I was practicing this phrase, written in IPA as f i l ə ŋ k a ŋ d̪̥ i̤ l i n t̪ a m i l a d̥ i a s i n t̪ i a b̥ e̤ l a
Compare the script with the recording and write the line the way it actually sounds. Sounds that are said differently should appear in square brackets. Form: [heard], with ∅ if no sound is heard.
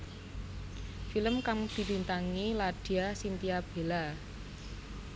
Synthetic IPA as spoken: f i l ə [m] k a ŋ d̪̥ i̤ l i n t̪ a [ŋ] i l a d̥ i a s i n t̪ i a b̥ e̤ l a